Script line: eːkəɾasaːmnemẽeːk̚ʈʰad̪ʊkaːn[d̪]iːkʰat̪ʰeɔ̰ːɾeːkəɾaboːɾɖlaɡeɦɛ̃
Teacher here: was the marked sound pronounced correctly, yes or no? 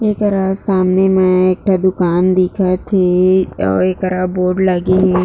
yes